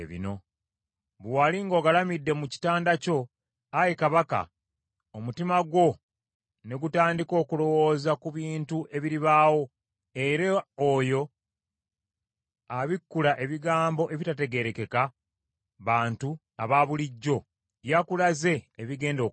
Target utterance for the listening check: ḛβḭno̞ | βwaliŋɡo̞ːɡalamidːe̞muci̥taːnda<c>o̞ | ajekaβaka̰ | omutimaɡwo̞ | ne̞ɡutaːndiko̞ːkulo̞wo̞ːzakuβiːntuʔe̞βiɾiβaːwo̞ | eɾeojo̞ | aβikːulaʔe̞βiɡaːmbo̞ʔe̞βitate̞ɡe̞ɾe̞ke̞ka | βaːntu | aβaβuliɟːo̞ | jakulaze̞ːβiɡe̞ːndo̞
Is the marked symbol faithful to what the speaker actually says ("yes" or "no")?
yes